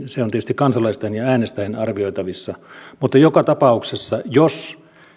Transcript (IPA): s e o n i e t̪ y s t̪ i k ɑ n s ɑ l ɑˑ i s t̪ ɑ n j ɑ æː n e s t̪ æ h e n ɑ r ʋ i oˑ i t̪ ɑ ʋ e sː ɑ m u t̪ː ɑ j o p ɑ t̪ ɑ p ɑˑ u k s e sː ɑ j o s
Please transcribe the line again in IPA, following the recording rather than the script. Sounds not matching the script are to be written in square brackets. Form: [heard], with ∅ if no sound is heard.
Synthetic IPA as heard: s e o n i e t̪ y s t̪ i k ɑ n s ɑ l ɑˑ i s t̪ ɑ n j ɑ æː n e s t̪ æ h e n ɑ r ʋ i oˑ i t̪ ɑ ʋ [i] sː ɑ m u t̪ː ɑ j o [k] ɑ t̪ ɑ p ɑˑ u k s e sː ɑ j o s